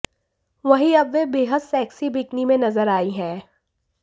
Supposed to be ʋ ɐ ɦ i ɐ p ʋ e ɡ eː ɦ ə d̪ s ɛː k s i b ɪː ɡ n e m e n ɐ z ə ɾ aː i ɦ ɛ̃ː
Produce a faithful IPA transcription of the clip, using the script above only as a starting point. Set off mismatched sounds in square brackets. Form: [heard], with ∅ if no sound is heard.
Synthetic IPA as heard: ʋ ɐ ɦ i ɐ [b] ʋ e [b] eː ɦ ə d̪ s ɛː k s i b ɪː [k] n [i] m [ẽ] n ɐ z ə ɾ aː i ɦ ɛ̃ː